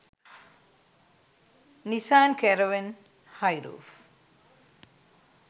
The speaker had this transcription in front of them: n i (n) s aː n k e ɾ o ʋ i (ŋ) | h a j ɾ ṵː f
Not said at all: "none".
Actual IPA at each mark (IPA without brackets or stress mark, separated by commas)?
none, n